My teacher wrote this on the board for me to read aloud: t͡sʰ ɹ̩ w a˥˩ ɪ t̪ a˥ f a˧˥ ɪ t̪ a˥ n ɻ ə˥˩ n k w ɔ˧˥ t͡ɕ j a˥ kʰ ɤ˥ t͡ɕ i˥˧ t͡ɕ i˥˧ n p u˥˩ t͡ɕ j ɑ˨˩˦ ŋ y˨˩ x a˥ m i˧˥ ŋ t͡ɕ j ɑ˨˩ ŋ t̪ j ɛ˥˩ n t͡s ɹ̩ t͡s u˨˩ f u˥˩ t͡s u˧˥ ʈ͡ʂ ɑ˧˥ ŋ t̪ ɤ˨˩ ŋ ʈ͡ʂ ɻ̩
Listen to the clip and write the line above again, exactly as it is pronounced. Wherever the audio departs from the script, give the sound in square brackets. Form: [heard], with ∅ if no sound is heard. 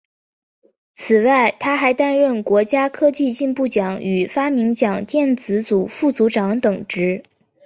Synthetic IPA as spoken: t͡sʰ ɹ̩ w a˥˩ ɪ [t̪ʰ] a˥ [x] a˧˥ ɪ t̪ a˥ n ɻ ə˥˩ n k w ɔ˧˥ t͡ɕ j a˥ kʰ ɤ˥ t͡ɕ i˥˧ t͡ɕ i˥˧ n p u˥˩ t͡ɕ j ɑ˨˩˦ ŋ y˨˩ [f] a˥ m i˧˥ ŋ t͡ɕ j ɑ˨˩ ŋ t̪ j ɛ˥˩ n t͡s ɹ̩ t͡s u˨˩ f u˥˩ t͡s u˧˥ ʈ͡ʂ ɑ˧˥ ŋ t̪ ɤ˨˩ ŋ ʈ͡ʂ ɻ̩